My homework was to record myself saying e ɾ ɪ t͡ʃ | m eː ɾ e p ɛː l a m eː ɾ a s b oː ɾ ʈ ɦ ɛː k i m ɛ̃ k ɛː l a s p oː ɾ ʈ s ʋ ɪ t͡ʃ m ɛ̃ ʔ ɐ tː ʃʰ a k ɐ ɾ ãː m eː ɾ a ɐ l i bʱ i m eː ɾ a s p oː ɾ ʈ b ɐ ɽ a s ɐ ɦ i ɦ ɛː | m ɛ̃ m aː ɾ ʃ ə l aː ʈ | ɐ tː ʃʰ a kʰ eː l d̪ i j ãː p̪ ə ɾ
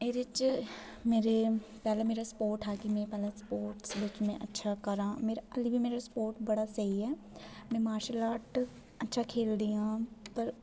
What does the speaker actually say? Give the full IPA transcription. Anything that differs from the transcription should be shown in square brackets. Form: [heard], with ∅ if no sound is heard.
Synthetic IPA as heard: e ɾ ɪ t͡ʃ | m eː ɾ e p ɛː l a m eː ɾ a s [p] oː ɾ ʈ ɦ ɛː k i m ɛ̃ [p] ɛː l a s p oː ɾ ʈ s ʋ ɪ t͡ʃ m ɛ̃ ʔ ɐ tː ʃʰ a k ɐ ɾ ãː m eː ɾ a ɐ l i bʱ i m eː ɾ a s p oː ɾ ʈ b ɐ ɽ a s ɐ ɦ i ɦ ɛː | m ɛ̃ m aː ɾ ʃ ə l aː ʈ | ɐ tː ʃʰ a kʰ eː l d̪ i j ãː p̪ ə ɾ

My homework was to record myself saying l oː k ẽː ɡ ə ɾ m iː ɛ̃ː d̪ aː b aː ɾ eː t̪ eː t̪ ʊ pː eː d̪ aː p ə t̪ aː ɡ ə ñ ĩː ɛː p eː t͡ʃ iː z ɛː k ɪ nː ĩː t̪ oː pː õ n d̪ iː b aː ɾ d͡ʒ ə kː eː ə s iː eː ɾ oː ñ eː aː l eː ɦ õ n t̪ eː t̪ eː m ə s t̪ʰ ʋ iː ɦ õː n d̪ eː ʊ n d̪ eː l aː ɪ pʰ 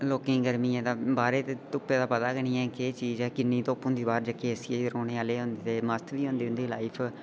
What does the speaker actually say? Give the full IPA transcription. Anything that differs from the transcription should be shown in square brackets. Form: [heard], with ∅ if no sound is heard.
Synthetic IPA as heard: l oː k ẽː ɡ ə ɾ m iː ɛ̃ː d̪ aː b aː ɾ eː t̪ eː t̪ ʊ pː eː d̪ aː p ə t̪ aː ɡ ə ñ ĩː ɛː [k] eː t͡ʃ iː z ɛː k ɪ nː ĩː t̪ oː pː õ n d̪ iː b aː ɾ d͡ʒ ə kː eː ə s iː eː ɾ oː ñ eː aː l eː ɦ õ n [d̪] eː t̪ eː m ə s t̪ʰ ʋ iː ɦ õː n d̪ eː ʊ n d̪ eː l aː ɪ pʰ

